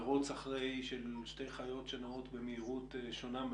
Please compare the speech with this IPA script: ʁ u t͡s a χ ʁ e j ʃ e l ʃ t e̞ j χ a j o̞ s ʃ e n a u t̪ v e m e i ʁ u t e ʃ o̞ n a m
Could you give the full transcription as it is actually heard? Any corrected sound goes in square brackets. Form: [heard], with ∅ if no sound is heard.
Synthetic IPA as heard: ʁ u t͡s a χ ʁ e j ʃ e l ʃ t e̞ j χ a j o̞ [t] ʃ e n a [o] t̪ [b] e m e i ʁ u t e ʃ o̞ n a m